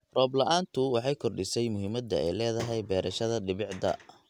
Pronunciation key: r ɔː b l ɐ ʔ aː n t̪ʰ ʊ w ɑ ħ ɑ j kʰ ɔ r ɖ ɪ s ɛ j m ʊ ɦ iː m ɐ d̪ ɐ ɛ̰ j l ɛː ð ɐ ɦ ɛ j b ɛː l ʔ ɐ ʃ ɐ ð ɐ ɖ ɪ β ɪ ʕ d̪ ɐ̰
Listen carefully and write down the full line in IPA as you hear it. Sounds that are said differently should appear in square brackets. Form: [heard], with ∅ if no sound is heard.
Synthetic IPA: r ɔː b l ɐ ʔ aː n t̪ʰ ʊ w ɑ ħ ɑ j kʰ ɔ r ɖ ɪ s ɛ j m ʊ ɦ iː m ɐ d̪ ɐ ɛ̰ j l ɛː ð ɐ ɦ ɛ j b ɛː [ɾ] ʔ ɐ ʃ ɐ ð ɐ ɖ ɪ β ɪ ʕ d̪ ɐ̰